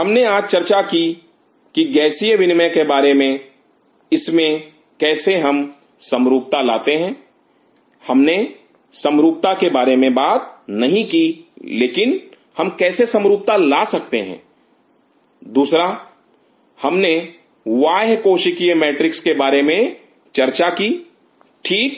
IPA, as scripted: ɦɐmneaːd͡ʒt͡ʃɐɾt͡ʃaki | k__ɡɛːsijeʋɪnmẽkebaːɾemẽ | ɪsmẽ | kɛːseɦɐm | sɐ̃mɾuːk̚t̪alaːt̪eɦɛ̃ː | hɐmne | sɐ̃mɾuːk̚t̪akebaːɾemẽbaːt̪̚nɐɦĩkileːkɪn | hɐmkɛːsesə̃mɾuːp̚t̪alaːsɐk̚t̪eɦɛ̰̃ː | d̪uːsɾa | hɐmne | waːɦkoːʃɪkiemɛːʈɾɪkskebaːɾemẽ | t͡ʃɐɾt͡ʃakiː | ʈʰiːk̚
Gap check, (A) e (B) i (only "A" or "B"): B